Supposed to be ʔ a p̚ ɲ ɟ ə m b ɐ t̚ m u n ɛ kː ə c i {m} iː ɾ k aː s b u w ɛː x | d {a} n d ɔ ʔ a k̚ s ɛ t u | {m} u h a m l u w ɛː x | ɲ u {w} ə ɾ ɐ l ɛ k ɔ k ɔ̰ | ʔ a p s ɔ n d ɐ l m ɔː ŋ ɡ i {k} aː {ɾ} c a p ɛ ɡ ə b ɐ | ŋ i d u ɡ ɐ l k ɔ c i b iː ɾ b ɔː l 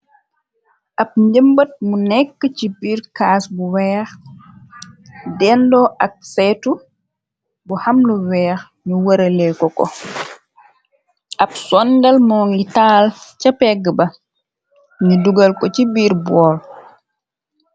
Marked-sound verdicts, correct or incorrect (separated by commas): incorrect, incorrect, incorrect, correct, incorrect, incorrect